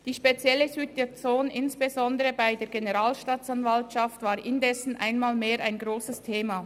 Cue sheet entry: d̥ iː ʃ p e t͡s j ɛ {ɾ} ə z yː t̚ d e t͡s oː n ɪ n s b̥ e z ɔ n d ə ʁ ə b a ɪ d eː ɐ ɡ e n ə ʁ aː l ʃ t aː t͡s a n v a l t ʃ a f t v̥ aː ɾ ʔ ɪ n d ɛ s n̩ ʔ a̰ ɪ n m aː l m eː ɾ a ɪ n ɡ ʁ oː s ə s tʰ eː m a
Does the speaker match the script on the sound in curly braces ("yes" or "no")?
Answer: no